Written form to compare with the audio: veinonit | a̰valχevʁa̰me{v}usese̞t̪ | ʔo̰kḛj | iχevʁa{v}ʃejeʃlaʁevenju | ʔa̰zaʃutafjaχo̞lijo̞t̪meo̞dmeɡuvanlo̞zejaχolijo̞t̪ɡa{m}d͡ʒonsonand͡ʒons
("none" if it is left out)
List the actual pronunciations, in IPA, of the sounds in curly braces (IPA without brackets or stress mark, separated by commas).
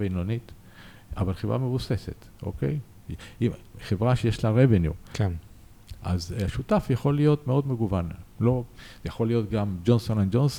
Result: v, none, m